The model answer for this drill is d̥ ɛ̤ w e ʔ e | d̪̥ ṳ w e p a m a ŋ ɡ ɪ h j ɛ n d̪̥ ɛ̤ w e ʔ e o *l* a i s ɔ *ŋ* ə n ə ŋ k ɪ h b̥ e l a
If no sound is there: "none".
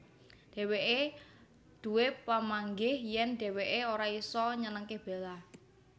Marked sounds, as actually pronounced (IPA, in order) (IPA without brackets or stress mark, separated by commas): ɾ, ɲ